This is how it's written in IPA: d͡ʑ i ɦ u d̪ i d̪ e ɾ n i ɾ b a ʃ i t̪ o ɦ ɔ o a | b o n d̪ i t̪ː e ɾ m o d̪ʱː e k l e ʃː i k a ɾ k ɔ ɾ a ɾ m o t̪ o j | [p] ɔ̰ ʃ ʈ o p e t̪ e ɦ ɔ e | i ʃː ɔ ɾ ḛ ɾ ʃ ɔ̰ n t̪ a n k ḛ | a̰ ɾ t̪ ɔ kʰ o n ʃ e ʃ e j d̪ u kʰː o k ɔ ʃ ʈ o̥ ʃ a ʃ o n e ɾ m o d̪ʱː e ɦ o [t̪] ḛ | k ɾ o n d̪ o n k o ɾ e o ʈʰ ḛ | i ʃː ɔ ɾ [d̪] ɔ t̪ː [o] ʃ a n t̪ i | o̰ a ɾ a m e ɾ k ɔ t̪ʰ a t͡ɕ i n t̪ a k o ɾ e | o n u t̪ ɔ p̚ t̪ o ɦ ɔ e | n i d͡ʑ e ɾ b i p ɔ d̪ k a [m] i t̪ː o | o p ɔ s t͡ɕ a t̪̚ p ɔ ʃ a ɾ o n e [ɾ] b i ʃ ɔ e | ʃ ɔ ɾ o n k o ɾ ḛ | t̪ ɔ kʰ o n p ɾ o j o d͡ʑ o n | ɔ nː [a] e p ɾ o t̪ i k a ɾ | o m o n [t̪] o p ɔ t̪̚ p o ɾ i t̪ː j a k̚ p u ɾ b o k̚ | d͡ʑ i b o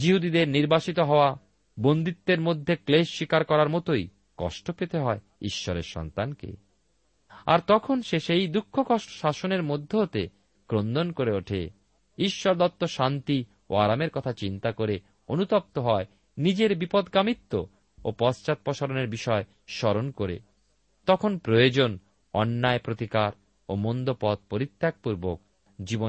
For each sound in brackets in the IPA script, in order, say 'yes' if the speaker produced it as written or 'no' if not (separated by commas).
no, yes, yes, yes, yes, yes, yes, no